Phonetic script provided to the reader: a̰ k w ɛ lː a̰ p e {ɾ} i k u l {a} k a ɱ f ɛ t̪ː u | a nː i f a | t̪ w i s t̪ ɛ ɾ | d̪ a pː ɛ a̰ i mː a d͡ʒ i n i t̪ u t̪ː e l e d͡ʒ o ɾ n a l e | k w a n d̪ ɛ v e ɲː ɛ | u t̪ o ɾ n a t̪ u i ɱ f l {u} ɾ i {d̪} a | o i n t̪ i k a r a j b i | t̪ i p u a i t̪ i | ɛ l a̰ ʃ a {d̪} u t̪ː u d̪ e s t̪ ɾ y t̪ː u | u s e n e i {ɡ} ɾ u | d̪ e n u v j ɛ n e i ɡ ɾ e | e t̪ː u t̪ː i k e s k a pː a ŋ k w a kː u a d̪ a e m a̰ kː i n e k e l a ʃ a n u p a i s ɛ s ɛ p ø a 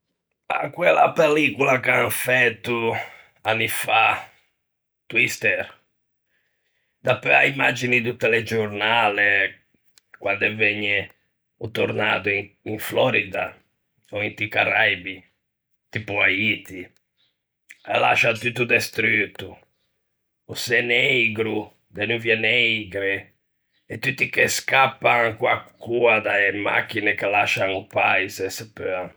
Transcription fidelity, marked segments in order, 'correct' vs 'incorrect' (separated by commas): incorrect, correct, incorrect, correct, incorrect, correct